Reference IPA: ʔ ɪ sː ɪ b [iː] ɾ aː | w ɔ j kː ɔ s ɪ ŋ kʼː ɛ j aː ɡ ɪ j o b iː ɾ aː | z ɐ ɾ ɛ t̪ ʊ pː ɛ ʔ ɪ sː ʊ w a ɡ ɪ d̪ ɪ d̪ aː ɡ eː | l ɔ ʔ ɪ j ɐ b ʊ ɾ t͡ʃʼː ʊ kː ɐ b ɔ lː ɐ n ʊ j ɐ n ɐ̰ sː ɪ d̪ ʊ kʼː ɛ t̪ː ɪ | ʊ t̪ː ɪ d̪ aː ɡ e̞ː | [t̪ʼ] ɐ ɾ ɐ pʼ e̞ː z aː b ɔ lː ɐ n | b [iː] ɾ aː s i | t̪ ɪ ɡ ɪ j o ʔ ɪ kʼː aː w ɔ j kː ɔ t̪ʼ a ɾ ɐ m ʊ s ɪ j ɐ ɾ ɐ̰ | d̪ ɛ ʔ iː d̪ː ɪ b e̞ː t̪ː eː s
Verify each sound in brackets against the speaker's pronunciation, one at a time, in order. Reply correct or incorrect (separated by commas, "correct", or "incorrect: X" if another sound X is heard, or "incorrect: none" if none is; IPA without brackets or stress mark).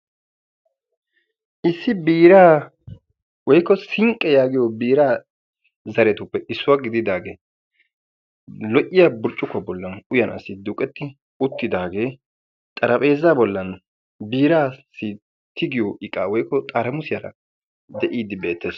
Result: correct, correct, correct